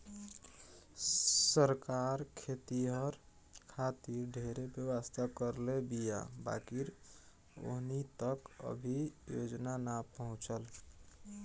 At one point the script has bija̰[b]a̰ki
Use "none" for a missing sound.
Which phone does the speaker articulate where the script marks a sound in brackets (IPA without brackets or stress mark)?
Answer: b